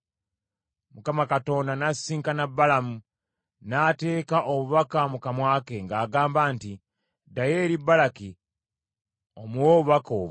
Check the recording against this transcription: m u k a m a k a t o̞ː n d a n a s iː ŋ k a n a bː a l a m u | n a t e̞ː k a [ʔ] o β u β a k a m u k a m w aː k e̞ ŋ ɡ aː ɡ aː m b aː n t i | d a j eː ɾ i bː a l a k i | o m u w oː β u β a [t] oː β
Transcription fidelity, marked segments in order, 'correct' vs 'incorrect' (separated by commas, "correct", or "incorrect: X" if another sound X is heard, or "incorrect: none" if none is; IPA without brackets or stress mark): correct, incorrect: k